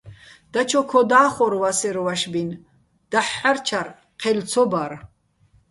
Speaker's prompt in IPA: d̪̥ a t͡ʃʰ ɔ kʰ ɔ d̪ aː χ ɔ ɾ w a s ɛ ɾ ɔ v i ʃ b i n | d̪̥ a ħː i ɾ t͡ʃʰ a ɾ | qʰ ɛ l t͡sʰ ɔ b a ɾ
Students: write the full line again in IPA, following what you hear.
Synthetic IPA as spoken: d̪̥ a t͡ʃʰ ɔ kʰ ɔ d̪ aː χ ɔ ɾ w a s ɛ ɾ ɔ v a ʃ b i n | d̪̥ a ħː a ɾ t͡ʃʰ a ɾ | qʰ ɛ l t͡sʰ ɔ b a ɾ

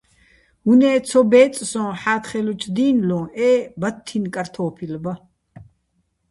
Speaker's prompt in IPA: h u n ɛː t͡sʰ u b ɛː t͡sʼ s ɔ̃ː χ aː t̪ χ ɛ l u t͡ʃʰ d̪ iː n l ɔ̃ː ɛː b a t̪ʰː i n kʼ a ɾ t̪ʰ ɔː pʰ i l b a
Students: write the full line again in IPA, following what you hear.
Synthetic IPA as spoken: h u n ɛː t͡sʰ ɔ b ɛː t͡sʼ s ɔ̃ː ħ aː t̪ χ ɛ l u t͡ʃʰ d̪ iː n l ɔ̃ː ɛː b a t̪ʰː i n kʼ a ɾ t̪ʰ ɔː pʰ i l b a

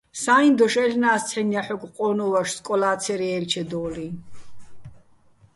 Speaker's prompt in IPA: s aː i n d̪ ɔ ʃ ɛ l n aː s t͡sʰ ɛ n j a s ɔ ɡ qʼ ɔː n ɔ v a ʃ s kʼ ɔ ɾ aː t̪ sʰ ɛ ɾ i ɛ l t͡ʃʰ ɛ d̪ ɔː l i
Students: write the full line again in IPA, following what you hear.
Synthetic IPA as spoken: s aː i n d̪ ɔ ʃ ɛ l n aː s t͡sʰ ɛ n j a ħ ɔ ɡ qʼ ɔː n ɔ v a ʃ s kʼ ɔ l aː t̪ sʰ ɛ ɾ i ɛ l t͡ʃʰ ɛ d̪ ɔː l i

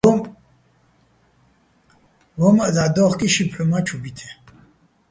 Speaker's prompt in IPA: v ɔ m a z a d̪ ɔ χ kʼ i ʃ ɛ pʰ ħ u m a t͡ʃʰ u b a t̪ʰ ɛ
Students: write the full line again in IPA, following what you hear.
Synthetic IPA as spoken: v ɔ m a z a d̪ ɔ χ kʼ i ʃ i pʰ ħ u m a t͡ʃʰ u b i t̪ʰ ɛ

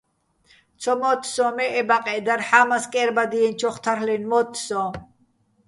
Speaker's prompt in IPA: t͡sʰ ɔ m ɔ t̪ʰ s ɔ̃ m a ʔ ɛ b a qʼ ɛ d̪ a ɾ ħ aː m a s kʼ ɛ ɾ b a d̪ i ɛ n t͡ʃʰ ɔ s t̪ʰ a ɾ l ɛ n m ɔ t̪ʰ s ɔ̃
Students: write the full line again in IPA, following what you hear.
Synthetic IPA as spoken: t͡sʰ ɔ m ɔ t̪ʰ s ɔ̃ m ɛ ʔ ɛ b a qʼ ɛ d̪ a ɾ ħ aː m a s kʼ ɛ ɾ b a d̪ i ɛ n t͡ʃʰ ɔ χ t̪ʰ a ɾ l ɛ n m ɔ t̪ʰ s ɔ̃

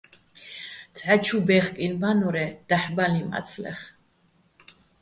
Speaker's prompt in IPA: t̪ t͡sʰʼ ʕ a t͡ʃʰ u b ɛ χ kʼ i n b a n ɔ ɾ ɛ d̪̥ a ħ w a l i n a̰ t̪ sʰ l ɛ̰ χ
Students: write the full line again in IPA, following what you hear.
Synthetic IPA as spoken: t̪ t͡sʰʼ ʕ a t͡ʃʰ u b ɛ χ kʼ i n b a n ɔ ɾ ɛ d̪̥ a ħ b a l i m a̰ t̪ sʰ l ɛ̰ χ

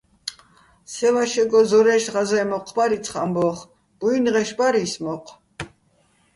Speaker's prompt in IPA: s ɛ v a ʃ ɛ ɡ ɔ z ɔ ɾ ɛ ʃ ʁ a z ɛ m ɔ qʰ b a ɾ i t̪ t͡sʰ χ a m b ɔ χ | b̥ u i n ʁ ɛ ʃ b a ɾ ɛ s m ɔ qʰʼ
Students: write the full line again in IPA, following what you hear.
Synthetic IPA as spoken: s ɛ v a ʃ ɛ ɡ ɔ z ɔ ɾ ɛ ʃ ʁ a z ɛ m ɔ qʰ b a ɾ i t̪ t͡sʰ χ a m b ɔ χ | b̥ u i n ʁ ɛ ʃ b a ɾ i s m ɔ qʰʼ

